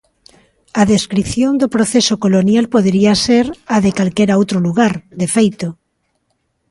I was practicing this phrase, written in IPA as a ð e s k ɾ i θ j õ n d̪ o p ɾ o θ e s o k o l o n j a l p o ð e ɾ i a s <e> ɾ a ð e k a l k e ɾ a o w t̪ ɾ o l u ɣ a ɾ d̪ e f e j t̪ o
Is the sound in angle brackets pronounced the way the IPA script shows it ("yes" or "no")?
yes